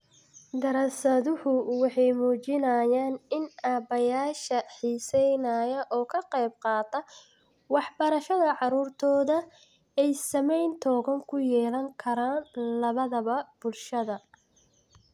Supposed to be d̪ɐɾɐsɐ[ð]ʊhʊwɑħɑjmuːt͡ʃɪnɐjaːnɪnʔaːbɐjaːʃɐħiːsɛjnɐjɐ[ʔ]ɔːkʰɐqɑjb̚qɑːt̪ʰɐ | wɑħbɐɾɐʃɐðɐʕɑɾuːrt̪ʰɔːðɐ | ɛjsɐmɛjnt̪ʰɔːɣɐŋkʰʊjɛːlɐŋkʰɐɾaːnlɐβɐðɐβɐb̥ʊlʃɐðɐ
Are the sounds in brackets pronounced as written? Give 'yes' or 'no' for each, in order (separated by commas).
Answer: yes, yes